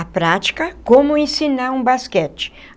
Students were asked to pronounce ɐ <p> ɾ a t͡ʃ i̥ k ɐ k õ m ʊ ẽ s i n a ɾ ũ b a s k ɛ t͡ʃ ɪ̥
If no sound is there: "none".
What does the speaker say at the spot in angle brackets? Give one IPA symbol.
p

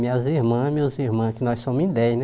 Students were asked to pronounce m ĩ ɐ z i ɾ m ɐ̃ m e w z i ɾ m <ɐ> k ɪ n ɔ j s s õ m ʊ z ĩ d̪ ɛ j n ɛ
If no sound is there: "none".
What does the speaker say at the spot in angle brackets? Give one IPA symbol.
ɐ̃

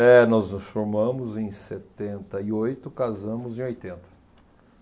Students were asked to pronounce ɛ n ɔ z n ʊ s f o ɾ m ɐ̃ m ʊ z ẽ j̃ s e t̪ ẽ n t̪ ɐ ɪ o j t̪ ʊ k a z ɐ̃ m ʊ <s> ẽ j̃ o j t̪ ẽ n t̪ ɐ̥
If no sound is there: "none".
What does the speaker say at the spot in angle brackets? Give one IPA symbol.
z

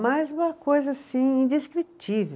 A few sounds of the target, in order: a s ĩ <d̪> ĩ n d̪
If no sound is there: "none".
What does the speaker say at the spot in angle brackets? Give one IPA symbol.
none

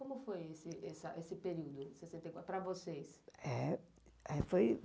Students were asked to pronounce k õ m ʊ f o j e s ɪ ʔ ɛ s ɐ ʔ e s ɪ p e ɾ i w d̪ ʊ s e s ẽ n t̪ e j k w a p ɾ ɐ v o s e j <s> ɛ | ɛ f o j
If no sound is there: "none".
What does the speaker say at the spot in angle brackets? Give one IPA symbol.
s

